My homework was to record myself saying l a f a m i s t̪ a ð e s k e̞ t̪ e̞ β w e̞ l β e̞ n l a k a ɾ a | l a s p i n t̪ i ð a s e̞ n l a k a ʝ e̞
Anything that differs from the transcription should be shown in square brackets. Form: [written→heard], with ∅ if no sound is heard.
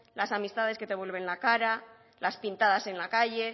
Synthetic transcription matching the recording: l a [f→s] a m i s t̪ a ð e s k e̞ t̪ e̞ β w e̞ l β e̞ n l a k a ɾ a | l a s p i n t̪ [i→a] ð a s e̞ n l a k a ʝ e̞